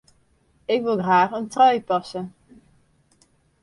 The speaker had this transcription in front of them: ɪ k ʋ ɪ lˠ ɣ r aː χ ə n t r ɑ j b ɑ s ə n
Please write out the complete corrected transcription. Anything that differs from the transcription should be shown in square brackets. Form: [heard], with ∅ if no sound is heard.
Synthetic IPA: ɪ k ʋ ɪ lˠ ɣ r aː χ ə n t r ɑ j [p] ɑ s ə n

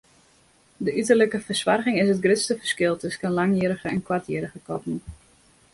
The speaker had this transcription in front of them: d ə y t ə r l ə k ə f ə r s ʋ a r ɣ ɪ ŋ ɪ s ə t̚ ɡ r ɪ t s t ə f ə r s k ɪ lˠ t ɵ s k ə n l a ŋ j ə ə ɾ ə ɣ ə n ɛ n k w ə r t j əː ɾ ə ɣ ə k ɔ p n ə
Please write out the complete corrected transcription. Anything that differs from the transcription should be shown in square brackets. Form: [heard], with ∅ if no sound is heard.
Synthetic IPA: d ə y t ə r l ə k ə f ə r s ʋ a r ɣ ɪ ŋ ɪ s ə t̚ ɡ r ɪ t s t ə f ə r s k ɪ lˠ t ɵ s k ə n l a ŋ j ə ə ɾ ə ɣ ə [∅] ɛ n k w [a] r t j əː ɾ ə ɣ ə k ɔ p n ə

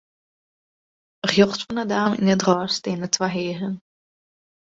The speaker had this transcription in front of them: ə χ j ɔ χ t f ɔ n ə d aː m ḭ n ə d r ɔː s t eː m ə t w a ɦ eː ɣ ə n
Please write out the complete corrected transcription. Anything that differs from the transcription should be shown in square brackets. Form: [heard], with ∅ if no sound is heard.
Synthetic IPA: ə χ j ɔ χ t f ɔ n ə d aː m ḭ n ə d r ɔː s t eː [n] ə t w a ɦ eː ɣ ə n

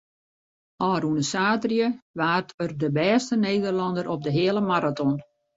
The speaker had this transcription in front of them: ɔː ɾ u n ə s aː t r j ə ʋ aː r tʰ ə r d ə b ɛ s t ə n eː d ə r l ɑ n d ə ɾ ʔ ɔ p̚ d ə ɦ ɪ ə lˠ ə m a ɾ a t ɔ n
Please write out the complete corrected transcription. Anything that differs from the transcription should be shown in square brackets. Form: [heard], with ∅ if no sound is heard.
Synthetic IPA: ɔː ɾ u n ə s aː t r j ə ʋ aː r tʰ ə r d ə b [ɛː] s t ə n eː d ə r l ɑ n d ə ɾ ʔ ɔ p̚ d ə ɦ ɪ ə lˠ ə m a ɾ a t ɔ n

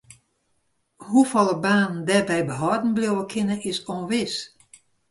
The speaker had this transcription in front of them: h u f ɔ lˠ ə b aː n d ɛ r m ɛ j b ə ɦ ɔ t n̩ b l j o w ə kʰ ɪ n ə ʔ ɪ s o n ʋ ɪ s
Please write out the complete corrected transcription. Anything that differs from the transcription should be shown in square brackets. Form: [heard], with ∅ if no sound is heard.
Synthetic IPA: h u f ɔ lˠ ə b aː n d ɛ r [b] ɛ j b ə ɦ ɔ [d] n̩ b l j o w ə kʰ ɪ n ə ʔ ɪ s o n ʋ ɪ s

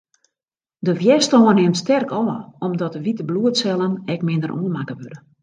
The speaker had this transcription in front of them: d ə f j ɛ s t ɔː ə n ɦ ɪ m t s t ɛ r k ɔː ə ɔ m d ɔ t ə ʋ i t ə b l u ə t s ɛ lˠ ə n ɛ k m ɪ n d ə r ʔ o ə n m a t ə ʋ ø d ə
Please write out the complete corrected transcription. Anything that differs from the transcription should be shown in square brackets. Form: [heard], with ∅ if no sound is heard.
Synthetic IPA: d ə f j ɛ s t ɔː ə n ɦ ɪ m t s t ɛ r k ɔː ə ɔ m d ɔ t ə ʋ i t ə b l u ə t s ɛ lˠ ə n ɛ k m ɪ n d ə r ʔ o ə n m a [k] ə ʋ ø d ə

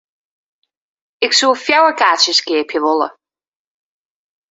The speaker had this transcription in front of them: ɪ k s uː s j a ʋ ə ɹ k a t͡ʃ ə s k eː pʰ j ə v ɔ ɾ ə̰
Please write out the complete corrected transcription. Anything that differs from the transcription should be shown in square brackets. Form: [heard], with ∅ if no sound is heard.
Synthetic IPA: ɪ k s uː [f] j a [w] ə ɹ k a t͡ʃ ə s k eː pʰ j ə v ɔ [l] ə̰

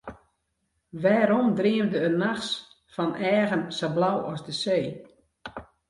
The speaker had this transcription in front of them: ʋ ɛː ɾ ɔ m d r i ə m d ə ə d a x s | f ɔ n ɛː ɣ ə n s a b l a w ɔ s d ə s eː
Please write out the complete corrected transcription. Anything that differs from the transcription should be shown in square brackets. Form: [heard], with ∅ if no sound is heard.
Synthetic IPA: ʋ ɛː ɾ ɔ m d r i ə m d ə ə [n] a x s | f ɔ n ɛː ɣ ə n s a b l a w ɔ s d ə s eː

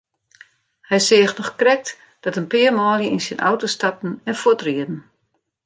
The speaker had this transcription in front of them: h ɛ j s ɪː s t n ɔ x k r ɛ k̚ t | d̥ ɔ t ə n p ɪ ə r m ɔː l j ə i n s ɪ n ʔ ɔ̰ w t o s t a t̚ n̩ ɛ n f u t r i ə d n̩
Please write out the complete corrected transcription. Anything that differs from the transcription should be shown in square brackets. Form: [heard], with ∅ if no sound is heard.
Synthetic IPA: h ɛ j s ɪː [x] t n ɔ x k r ɛ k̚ t | d̥ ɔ t ə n p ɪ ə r m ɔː l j ə i n s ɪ n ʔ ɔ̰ w t o s t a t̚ n̩ ɛ n f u t r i ə d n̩

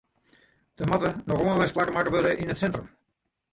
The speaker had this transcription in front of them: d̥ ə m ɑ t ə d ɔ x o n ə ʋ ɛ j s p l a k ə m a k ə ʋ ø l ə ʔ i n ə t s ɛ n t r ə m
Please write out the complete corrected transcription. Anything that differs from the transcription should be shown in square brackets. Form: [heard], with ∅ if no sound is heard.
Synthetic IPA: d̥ ə m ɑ t ə [n] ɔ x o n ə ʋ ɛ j s p l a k ə m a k ə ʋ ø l ə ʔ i n ə t s ɛ n t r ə m

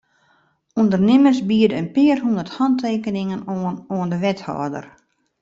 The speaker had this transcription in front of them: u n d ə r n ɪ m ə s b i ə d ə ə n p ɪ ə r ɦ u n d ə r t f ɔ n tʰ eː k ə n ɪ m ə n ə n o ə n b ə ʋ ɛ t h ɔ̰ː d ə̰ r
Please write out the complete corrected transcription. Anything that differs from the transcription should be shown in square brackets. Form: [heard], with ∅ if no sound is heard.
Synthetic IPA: u n d ə r n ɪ m ə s b i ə d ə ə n p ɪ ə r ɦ u n d ə r t [h] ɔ n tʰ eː k ə n ɪ [ŋ] ə n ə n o ə n [d] ə ʋ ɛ t h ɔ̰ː d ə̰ r

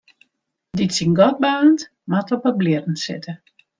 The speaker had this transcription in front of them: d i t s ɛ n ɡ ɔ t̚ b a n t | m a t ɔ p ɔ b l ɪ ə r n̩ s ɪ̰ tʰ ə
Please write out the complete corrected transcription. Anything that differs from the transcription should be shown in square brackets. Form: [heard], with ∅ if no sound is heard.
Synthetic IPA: d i t s [i] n ɡ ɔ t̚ b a n t | m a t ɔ p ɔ b l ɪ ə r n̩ s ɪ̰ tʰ ə

